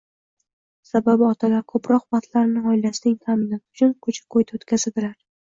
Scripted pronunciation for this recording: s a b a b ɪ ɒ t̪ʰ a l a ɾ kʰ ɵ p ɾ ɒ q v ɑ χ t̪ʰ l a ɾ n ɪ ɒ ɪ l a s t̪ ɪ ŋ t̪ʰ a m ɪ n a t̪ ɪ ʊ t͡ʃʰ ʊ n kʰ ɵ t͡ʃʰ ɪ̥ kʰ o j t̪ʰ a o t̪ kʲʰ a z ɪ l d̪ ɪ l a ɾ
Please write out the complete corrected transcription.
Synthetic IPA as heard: s a b a b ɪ ɒ t̪ʰ a l a ɾ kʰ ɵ p ɾ ɒ q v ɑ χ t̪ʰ l a ɾ n ɪ ɒ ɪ l a s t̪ ɪ ŋ t̪ʰ a m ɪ n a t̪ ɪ ʊ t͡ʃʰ ʊ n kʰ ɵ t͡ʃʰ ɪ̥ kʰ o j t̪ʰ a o t̪ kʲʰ a z ɪ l d̪ ɪ l a ɾ

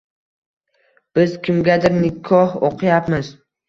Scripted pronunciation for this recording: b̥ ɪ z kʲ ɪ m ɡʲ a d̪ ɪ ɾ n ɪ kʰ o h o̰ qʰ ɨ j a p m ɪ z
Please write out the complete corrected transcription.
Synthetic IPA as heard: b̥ ɪ z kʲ ɪ m ɡʲ a d̪ ɪ ɾ n ɪ kʰ ɒ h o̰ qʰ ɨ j a p m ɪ z

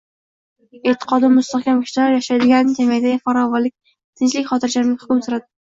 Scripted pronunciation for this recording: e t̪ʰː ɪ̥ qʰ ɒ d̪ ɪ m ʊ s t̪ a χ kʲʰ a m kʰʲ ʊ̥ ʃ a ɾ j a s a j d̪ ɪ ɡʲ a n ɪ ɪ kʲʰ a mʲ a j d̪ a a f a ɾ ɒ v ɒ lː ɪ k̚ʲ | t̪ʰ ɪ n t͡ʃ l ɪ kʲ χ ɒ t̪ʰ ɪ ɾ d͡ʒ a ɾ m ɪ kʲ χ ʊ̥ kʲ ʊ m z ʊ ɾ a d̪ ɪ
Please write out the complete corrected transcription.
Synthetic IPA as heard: e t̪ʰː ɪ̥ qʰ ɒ d̪ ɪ m ʊ s t̪ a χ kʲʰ a m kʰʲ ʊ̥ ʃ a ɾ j a ʃ a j d̪ ɪ ɡʲ a n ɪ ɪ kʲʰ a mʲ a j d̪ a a f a ɾ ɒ v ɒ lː ɪ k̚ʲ | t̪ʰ ɪ n t͡ʃ l ɪ kʲ χ ɒ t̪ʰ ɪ ɾ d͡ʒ a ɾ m ɪ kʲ h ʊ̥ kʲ ʊ m s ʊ ɾ a d̪ ɪ

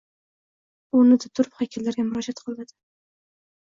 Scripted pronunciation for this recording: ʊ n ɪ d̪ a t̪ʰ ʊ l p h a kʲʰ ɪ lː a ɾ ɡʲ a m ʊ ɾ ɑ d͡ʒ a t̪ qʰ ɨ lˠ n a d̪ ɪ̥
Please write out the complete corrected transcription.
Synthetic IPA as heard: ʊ n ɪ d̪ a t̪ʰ ʊ ɾ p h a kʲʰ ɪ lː a ɾ ɡʲ a m ʊ ɾ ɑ d͡ʒ a t̪ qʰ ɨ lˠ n a d̪ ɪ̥

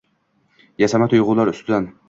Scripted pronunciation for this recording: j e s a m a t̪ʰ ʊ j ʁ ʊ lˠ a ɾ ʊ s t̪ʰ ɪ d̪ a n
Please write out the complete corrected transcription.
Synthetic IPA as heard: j a s a m a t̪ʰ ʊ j ʁ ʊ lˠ a ɾ ʊ s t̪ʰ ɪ d̪ a n

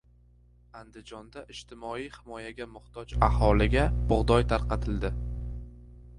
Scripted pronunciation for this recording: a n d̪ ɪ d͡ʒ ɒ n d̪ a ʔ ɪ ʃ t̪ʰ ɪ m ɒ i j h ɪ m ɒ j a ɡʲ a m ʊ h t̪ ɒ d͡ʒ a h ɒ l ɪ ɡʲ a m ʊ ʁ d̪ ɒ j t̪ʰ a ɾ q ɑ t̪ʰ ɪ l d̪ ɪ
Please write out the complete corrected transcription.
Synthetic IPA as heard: a n d̪ ɪ d͡ʒ ɒ n d̪ a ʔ ɪ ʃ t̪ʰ ɪ m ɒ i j h ɪ m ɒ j a ɡʲ a m ʊ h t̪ ɒ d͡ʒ a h ɒ l ɪ ɡʲ a b ʊ ʁ d̪ ɒ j t̪ʰ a ɾ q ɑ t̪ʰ ɪ l d̪ ɪ

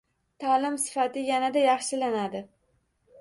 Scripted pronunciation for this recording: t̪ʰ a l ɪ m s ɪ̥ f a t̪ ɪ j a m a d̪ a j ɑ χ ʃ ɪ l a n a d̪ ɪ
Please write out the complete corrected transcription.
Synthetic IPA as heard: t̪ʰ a l ɪ m s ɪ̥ f a t̪ ɪ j a n a d̪ a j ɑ χ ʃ ɪ l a n a d̪ ɪ

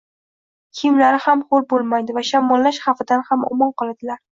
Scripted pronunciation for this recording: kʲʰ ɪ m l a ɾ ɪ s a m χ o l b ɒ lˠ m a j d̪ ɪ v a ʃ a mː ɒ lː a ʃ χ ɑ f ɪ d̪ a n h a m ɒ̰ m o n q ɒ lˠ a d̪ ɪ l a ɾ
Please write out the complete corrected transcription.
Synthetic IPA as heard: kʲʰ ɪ m l a ɾ ɪ h a m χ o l b o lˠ m a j d̪ ɪ v a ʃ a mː ɒ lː a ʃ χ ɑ f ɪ d̪ a n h a m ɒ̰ m ɒ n q ɒ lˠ a d̪ ɪ l a ɾ

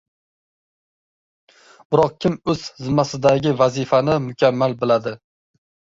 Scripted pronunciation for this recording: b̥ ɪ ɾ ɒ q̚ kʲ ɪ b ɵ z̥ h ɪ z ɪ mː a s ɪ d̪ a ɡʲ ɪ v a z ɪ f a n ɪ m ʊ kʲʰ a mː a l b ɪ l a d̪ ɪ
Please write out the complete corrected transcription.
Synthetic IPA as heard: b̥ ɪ ɾ ɒ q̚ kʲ ɪ m ɵ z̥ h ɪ z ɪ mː a s ɪ d̪ a ɡʲ ɪ v a z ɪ f a n ɪ m ʊ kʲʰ a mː a l b ɪ l a d̪ ɪ

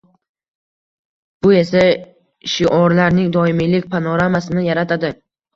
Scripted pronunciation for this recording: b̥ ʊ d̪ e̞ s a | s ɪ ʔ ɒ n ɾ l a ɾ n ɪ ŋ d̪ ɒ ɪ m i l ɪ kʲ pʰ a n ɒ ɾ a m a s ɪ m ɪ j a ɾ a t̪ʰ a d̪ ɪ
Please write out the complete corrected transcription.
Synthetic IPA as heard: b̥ ʊ e̞ s a | ʃ ɪ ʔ ɒ ɾ l a ɾ n ɪ ŋ d̪ ɒ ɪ m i l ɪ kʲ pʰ a n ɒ ɾ a m a s ɪ n ɪ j a ɾ a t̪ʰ a d̪ ɪ

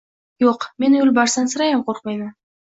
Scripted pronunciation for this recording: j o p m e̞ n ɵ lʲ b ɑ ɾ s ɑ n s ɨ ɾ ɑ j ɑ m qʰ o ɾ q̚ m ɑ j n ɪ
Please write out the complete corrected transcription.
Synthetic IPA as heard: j o q m e̞ n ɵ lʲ b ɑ ɾ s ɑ n s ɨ ɾ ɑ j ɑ m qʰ o ɾ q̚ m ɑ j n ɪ

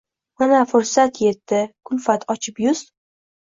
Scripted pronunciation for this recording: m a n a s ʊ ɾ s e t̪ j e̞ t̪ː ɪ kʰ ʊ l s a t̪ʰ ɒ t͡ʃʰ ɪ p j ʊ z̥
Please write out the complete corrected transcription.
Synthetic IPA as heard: m a n a f ʊ ɾ s a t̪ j e̞ t̪ː ɪ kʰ ʊ l f a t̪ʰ ɒ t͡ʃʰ ɪ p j ʊ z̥

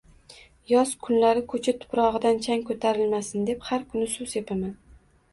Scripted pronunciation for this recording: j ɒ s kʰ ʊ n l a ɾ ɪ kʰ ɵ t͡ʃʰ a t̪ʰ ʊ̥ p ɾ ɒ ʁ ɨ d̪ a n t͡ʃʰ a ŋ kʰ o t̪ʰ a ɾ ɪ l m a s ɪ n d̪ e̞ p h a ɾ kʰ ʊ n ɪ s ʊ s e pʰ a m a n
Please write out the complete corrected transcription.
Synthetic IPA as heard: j ɒ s kʰ ʊ n l a ɾ ɪ kʰ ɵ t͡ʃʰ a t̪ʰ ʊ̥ p ɾ ɒ ʁ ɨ d̪ a n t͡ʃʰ a ŋ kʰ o t̪ʰ a ɾ ɪ l m a s ɪ n d̪ e̞ p h a ɾ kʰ ʊ n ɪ s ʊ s e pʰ a m a n

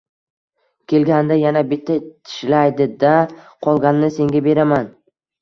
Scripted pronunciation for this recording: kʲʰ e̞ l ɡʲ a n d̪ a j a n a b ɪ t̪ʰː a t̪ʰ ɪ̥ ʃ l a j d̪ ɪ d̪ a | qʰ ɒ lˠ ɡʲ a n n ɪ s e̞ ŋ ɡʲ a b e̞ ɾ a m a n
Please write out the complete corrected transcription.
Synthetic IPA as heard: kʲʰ e̞ l ɡʲ a n d̪ a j a n a b ɪ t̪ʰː a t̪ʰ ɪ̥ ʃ l a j d̪ ɪ d̪ a | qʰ ɒ lˠ ɡʲ a n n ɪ s e̞ ŋ ɡʲ a b e̞ ɾ a m a n

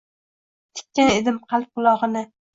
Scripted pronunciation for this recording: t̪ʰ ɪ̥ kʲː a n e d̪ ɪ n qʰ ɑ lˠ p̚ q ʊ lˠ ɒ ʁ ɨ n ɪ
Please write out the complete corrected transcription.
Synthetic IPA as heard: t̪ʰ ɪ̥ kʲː a n e d̪ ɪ m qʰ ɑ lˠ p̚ q ʊ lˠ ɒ ʁ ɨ n ɪ

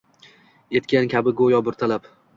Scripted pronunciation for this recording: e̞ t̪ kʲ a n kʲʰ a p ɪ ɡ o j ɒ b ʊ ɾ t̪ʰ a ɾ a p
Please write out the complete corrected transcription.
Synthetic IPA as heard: e̞ t̪ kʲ a n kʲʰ a b ɪ ɡ o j ɒ b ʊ ɾ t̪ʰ a l a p

